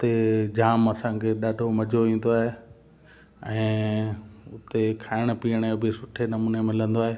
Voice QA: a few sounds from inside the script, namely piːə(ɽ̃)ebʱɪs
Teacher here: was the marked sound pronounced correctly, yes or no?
yes